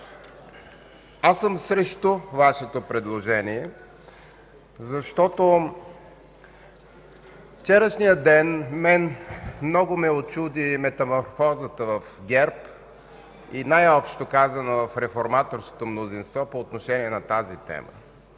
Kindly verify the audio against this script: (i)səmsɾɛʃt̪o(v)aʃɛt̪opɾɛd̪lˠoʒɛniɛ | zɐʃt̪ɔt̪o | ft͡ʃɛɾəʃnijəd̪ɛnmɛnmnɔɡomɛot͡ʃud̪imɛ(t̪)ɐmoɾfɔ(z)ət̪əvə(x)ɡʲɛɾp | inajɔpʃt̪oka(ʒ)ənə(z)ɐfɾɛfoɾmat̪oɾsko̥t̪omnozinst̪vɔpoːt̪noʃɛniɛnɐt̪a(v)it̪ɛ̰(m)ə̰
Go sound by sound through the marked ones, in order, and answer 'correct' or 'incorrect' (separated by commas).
incorrect, correct, correct, correct, incorrect, incorrect, incorrect, incorrect, correct